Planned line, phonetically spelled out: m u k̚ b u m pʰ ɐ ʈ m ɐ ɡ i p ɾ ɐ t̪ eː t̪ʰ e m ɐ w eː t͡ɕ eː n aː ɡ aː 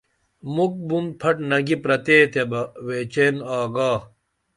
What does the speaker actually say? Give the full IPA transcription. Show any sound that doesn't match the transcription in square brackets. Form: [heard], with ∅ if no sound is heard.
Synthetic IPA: m u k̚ b u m pʰ ɐ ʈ [n] ɐ ɡ i p ɾ ɐ t̪ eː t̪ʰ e [b] ɐ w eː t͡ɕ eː n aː ɡ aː